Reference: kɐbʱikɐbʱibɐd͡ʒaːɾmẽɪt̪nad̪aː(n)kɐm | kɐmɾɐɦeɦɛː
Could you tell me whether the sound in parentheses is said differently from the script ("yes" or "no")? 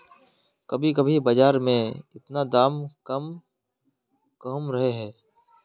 yes